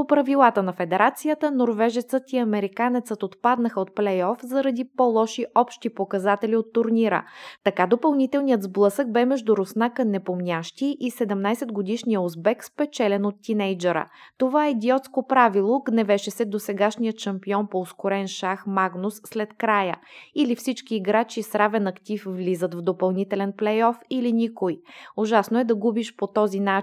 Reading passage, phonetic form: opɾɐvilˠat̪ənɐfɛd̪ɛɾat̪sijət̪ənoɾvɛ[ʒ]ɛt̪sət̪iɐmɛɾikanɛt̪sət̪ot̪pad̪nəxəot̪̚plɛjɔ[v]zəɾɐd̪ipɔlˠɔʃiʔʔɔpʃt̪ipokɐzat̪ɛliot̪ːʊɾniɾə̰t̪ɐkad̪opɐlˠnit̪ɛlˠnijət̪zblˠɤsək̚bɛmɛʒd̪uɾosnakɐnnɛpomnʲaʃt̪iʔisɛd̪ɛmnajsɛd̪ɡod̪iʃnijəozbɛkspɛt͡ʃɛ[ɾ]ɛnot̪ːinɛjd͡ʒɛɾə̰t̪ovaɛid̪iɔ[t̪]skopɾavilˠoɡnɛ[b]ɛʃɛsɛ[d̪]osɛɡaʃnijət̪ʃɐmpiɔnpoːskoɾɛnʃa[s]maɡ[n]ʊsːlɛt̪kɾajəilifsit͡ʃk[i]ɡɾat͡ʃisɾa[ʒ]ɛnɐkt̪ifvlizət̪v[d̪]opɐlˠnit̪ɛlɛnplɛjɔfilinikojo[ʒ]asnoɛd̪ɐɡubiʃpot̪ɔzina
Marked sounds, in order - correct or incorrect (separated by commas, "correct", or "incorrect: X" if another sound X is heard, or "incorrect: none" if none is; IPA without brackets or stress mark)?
correct, incorrect: f, incorrect: l, correct, incorrect: v, correct, incorrect: x, correct, incorrect: iː, incorrect: v, correct, correct